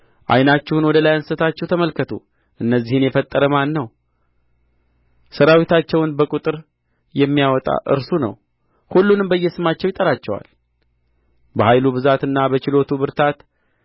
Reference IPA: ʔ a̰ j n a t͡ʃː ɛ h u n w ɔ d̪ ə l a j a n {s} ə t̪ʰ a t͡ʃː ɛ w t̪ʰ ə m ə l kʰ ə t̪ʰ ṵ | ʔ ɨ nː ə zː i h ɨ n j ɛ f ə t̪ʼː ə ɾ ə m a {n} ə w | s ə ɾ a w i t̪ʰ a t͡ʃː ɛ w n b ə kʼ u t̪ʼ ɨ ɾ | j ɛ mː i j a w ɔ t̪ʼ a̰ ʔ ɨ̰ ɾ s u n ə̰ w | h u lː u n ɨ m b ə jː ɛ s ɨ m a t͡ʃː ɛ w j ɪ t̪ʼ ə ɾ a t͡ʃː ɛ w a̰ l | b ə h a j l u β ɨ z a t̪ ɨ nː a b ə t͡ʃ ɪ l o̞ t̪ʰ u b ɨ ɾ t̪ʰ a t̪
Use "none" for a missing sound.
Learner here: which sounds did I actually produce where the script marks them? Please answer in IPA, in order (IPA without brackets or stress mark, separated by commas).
s, nː